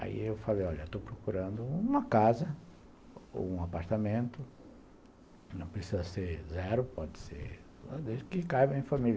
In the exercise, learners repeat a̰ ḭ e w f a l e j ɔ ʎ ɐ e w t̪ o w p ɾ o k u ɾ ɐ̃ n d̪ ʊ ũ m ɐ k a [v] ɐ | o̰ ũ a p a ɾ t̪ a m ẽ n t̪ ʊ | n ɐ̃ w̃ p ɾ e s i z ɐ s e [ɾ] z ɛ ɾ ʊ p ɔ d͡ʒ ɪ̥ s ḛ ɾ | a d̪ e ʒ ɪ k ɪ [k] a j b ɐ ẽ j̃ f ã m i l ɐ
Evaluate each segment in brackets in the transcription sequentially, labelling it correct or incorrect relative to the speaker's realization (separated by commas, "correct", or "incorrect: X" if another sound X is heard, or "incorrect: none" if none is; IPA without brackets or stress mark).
incorrect: z, correct, correct